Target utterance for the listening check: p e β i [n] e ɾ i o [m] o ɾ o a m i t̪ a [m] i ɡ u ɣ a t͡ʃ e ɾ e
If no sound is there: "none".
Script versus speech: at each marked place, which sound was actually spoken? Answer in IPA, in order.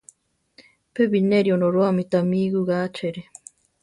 n, n, m

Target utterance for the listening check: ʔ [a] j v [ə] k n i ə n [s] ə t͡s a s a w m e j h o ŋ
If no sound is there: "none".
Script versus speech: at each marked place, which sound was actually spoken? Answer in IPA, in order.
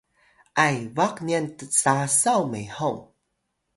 a, a, t

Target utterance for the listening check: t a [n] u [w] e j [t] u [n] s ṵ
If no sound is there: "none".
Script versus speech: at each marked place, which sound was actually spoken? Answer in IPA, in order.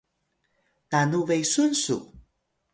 n, v, s, n

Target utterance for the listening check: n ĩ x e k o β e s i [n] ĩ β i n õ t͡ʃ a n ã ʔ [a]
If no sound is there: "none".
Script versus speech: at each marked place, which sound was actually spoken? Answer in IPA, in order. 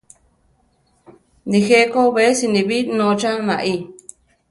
n, i

